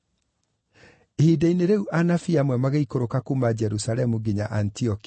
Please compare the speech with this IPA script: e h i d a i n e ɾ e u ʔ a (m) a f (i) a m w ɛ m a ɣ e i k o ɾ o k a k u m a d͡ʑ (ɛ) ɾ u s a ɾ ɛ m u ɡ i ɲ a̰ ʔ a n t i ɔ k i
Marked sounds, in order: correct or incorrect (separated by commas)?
incorrect, correct, correct